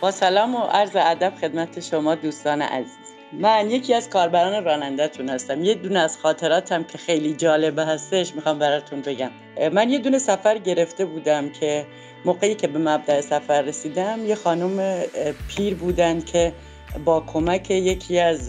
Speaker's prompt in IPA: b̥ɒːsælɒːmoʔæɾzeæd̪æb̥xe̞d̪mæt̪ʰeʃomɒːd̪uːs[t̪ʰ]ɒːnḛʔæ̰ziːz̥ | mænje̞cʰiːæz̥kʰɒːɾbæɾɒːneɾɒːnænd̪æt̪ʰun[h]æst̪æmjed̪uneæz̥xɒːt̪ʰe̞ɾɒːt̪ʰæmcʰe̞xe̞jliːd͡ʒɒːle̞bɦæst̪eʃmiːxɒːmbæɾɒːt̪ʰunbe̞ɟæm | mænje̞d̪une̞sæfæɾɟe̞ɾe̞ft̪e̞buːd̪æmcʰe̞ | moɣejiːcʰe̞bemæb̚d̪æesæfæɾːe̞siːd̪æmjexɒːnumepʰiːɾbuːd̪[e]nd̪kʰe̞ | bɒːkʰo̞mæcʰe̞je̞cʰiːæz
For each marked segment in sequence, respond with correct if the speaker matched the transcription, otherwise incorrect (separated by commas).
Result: incorrect, correct, incorrect